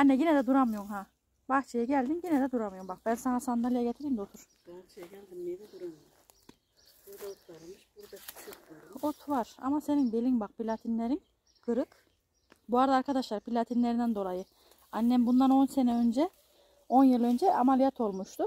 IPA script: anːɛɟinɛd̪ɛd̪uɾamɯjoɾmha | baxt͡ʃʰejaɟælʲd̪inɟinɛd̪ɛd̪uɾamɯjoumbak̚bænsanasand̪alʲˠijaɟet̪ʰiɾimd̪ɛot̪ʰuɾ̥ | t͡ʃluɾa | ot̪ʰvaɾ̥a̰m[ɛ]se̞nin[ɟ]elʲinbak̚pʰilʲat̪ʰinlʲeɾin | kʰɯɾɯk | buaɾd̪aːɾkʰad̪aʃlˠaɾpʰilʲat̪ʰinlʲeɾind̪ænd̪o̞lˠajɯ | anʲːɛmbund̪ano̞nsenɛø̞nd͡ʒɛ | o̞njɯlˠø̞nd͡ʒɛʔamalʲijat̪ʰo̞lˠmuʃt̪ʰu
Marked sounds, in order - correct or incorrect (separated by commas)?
incorrect, incorrect